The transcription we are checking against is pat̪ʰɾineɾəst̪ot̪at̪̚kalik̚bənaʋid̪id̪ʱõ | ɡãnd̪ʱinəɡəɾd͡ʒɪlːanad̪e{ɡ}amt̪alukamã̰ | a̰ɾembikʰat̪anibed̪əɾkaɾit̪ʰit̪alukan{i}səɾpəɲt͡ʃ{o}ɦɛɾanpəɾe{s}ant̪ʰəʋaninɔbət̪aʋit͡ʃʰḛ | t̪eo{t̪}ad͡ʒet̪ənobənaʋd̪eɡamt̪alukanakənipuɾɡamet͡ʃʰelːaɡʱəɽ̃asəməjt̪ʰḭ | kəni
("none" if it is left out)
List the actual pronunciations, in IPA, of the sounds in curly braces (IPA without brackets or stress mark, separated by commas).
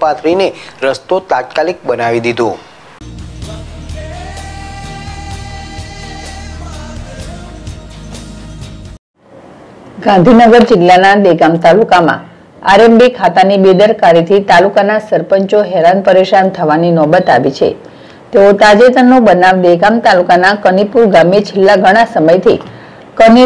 ɡ, a, o, ʃ, t̪